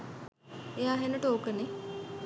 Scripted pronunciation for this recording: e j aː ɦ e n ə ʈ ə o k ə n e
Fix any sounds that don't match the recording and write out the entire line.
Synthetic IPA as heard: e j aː ɦ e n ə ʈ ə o k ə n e